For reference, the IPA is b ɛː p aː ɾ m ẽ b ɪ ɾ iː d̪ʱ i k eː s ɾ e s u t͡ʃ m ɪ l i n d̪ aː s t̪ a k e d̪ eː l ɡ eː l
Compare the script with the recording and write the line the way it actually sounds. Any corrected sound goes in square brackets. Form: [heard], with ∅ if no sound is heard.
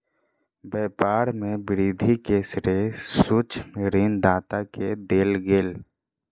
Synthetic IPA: b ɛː p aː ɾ m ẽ b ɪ ɾ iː d̪ʱ i k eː s ɾ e s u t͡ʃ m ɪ [ɾ] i n d̪ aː [∅] t̪ a k e d̪ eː l ɡ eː l